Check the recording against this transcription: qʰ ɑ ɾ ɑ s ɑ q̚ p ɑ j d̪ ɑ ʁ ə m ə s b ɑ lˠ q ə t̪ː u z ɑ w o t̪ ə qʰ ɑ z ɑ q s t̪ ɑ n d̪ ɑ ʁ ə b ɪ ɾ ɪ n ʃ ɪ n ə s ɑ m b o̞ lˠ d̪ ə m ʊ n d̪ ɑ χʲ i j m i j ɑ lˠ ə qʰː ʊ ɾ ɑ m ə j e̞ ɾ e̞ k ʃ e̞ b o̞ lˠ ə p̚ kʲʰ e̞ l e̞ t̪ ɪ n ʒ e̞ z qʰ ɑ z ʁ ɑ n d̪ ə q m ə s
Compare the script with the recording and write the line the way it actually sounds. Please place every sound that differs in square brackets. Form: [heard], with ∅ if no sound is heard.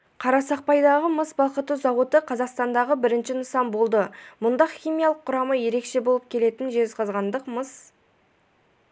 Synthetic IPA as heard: qʰ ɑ ɾ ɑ s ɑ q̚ p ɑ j d̪ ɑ ʁ ə m ə s b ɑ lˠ q ə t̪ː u z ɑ w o t̪ ə qʰ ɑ z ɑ q s t̪ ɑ n d̪ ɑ ʁ ə b ɪ ɾ ɪ n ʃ ɪ n ə s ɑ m b o̞ lˠ d̪ ə m ʊ n d̪ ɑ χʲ i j m i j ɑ lˠ ə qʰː ʊ ɾ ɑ m ə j e̞ ɾ e̞ k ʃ e̞ b o̞ lˠ ə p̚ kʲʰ e̞ l e̞ t̪ ɪ n ʒ e̞ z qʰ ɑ z ʁ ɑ n d̪ ə q m ə s

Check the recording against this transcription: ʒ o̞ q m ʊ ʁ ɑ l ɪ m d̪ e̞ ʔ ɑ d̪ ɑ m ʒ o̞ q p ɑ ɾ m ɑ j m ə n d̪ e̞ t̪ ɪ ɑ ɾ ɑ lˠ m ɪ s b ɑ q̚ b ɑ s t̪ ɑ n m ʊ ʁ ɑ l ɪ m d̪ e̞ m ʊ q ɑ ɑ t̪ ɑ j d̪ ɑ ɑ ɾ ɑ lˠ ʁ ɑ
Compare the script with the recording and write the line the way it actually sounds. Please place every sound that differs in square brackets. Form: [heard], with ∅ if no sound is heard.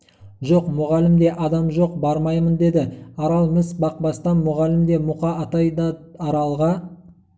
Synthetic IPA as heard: ʒ o̞ q m ʊ ʁ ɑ l ɪ m d̪ e̞ ʔ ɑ d̪ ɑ m ʒ o̞ q [b] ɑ ɾ m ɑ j m ə n d̪ e̞ [d̪] ɪ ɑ ɾ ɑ lˠ m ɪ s b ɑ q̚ b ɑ s t̪ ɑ n m ʊ ʁ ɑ l ɪ m d̪ e̞ m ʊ q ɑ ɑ t̪ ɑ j d̪ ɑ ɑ ɾ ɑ lˠ ʁ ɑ

